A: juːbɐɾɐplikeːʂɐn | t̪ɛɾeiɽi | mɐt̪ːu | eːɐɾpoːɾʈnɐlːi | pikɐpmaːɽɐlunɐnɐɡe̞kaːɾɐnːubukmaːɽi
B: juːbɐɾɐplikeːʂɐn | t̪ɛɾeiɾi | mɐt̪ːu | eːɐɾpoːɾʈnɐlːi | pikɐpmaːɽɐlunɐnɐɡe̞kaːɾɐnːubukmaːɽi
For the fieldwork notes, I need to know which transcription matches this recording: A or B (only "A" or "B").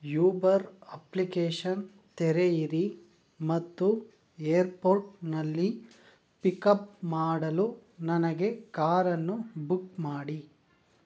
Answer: B